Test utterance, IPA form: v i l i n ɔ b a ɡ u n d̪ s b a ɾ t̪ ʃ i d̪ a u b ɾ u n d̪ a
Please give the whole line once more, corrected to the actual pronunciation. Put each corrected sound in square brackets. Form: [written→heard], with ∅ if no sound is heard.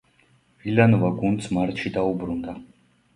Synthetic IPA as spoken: v i l [i→a] n ɔ [b→v] a ɡ u n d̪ s [b→m] a ɾ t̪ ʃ i d̪ a u b ɾ u n d̪ a